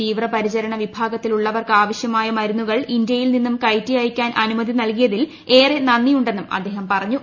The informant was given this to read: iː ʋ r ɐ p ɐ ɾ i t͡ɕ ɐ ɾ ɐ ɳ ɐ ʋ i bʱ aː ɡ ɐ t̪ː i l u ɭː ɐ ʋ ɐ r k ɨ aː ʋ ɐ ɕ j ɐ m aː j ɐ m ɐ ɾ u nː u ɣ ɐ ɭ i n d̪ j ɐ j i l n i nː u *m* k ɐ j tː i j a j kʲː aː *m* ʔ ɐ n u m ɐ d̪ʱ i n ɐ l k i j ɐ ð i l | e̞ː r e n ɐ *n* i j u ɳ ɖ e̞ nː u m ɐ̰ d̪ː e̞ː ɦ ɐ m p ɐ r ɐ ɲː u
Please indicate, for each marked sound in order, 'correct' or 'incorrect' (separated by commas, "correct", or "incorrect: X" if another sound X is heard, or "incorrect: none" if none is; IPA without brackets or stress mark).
correct, incorrect: n, incorrect: nː